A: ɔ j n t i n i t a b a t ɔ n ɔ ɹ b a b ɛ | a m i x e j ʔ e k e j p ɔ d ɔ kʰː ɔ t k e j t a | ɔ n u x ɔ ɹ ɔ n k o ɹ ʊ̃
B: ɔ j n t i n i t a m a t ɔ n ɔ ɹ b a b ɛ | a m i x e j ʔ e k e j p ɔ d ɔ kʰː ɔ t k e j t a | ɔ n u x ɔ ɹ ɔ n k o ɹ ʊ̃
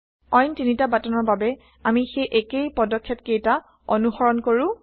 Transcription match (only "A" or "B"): A